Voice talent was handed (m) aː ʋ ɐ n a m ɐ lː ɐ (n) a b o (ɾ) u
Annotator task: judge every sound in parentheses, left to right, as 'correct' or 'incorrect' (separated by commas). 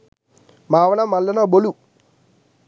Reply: correct, correct, incorrect